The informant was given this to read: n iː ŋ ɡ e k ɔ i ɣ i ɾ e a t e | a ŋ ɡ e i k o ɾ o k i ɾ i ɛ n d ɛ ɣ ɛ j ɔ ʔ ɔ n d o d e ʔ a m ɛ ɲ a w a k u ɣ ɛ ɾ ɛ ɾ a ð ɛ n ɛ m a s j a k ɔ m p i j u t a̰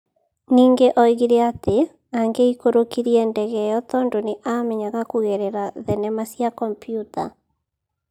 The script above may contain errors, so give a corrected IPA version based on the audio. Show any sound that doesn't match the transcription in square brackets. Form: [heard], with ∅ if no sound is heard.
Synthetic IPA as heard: n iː ŋ ɡ e [ʔ] ɔ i ɣ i ɾ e a t e | a ŋ ɡ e i k o ɾ o k i ɾ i ɛ n d ɛ ɣ ɛ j ɔ [t] ɔ n d o [n] e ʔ a m ɛ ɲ a [ɣ] a k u ɣ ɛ ɾ ɛ ɾ a ð ɛ n ɛ m a s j a k ɔ m p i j u t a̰